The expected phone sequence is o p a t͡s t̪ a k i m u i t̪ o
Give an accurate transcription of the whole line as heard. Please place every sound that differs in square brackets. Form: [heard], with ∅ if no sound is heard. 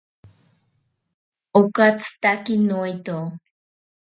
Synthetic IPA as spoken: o [k] a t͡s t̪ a k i [n] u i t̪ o